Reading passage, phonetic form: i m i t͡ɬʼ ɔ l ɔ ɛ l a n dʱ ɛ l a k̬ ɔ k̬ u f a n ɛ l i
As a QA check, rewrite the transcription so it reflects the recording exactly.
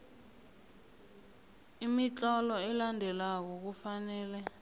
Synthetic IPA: i m i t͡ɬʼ ɔ l ɔ ɛ l a n dʱ ɛ l a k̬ ɔ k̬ u f a n ɛː l ɛ